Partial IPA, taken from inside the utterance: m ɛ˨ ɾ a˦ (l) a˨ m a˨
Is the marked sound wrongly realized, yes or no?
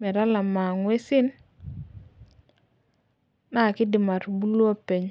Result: no